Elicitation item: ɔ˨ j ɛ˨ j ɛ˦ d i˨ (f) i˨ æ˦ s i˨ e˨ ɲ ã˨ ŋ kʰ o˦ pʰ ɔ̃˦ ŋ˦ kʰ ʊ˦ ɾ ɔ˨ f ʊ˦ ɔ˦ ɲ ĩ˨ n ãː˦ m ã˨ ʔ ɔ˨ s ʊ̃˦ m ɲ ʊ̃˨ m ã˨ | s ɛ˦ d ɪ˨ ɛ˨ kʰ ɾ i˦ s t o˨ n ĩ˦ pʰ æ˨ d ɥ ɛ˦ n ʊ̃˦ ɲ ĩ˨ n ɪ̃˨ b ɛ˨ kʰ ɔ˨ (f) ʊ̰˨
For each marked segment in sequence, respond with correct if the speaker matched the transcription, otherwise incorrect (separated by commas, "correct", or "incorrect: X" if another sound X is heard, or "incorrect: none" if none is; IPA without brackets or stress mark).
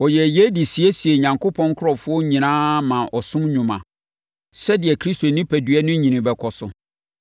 incorrect: s, incorrect: s